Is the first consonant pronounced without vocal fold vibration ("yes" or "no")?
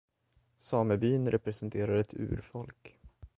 yes